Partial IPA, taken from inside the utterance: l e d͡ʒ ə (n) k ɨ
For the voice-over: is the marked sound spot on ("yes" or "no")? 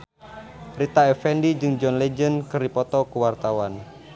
yes